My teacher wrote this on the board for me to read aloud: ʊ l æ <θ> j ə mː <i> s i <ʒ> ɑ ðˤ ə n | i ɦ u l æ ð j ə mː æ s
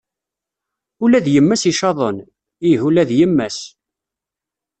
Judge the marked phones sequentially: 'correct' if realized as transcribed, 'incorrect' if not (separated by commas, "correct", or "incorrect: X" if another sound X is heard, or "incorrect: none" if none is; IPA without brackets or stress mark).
incorrect: ð, incorrect: æ, incorrect: ʃ